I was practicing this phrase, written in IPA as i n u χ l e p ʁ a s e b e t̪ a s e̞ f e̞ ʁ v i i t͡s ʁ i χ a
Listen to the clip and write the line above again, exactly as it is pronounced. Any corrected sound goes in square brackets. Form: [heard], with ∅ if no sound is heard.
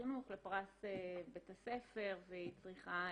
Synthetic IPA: i n u χ l e p ʁ a s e b e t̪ a s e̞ f e̞ ʁ v [e] i t͡s ʁ i χ a